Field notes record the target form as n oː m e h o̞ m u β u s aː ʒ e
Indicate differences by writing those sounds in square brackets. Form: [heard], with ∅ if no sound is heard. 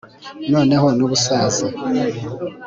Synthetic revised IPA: n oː [n] e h o̞ [n] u β u s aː [z] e